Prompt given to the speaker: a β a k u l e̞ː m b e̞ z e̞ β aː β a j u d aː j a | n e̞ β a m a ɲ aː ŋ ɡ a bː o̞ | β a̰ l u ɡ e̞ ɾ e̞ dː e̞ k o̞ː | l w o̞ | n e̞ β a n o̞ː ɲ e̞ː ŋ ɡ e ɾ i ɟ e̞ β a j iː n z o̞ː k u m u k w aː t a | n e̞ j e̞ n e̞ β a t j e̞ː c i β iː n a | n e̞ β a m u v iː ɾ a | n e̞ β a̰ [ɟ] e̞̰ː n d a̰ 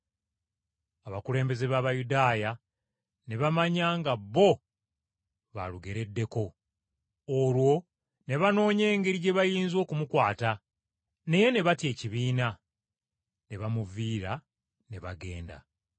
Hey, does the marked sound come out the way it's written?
no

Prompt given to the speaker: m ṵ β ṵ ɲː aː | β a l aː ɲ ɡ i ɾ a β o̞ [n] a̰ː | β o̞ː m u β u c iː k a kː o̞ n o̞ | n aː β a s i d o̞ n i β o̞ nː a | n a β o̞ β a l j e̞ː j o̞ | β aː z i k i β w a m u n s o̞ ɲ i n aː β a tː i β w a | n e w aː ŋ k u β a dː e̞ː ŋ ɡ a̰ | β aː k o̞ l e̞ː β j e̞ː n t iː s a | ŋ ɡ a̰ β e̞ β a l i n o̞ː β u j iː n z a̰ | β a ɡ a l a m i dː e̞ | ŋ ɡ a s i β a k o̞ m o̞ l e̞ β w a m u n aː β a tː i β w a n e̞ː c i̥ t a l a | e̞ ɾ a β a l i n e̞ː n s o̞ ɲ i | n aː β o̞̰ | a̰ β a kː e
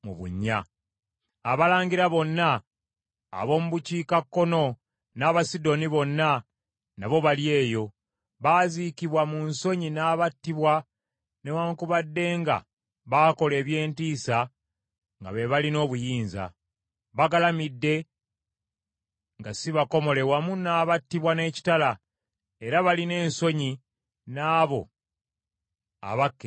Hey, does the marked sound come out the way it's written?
no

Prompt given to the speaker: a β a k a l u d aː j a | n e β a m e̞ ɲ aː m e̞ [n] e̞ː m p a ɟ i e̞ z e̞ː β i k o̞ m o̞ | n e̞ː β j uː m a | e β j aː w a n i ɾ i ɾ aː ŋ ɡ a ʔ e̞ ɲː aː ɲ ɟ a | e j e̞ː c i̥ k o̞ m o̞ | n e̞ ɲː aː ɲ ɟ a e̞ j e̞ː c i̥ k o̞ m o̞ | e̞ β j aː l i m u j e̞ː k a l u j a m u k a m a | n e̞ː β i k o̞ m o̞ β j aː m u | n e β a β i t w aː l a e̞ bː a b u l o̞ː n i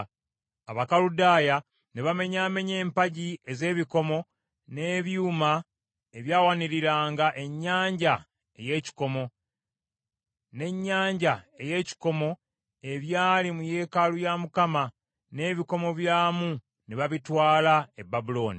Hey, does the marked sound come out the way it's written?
no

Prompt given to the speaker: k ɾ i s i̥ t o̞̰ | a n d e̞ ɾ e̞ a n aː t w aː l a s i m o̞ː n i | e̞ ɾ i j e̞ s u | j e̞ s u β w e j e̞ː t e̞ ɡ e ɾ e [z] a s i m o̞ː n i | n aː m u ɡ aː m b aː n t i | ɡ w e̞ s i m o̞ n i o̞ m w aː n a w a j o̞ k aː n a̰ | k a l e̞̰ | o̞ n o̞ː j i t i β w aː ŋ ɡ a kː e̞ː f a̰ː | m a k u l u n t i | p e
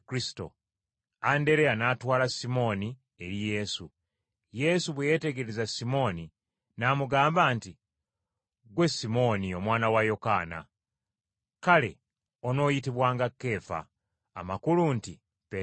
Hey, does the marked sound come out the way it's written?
yes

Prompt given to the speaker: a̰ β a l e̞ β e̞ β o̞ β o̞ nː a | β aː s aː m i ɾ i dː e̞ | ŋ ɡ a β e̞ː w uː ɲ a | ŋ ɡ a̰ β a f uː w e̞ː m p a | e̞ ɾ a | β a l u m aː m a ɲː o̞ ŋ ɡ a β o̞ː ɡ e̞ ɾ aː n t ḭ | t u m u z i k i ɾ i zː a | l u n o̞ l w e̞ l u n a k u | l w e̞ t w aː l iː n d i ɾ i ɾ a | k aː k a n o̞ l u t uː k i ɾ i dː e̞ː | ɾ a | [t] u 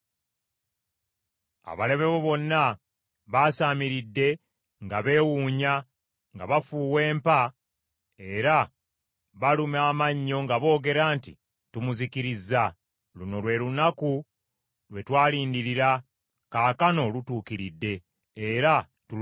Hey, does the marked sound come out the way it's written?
yes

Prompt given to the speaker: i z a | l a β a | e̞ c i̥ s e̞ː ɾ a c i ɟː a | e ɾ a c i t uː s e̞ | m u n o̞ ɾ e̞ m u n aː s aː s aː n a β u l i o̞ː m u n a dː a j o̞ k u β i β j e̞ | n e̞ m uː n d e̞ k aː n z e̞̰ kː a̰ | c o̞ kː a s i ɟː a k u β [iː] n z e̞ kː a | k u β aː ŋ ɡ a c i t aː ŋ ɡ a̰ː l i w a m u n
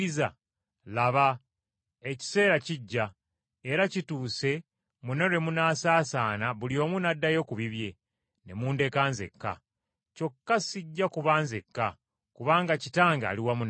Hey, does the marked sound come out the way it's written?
no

